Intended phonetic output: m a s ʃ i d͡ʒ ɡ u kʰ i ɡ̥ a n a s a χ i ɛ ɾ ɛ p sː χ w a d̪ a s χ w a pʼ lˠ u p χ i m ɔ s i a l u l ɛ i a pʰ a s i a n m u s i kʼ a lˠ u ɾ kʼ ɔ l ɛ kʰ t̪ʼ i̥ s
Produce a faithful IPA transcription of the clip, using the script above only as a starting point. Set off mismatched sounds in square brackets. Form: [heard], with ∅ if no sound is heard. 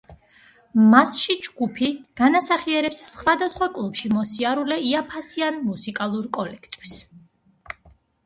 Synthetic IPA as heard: m a s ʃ i d͡ʒ ɡ u [pʰ] i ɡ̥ a n a s a χ i ɛ ɾ ɛ p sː χ w a d̪ a s χ w a [kʼ] lˠ u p [ʃ] i m ɔ s i a [ɾ] u l ɛ i a pʰ a s i a n m u s i kʼ a lˠ u ɾ kʼ ɔ l ɛ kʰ t̪ʼ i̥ s